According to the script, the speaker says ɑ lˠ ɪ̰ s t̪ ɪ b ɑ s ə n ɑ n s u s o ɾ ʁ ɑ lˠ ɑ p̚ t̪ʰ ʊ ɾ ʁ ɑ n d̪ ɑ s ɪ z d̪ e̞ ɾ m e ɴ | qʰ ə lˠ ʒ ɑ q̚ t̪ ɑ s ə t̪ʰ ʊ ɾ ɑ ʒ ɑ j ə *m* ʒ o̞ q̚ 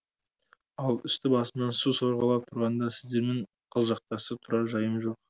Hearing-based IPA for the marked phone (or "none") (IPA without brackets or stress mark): m